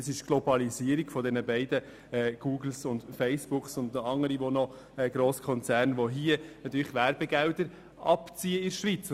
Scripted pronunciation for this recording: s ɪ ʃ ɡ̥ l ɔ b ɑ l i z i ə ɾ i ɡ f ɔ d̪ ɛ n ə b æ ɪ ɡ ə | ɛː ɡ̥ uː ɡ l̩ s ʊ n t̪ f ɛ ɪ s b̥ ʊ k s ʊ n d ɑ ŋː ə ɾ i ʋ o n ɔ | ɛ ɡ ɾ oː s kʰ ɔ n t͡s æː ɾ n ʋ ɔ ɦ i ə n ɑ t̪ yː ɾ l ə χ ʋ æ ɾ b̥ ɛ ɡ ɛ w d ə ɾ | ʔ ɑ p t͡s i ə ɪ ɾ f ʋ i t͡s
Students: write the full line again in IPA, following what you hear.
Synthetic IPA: s ɪ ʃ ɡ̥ l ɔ b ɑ l i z i ə ɾ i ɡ f ɔ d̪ ɛ n ə b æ ɪ d ə | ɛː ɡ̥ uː ɡ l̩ s ʊ n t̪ f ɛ ɪ s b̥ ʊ k s ʊ n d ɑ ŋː ə ɾ i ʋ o n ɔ | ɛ ɡ ɾ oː s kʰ ɔ n t͡s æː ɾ n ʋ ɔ ɦ i ə n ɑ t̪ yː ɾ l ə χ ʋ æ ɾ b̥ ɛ ɡ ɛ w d ə ɾ | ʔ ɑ p t͡s i ə ɪ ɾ ʃ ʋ i t͡s